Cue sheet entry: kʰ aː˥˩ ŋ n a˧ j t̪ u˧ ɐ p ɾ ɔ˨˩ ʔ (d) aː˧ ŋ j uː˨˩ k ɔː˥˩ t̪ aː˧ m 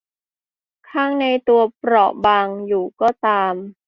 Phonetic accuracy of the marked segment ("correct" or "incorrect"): incorrect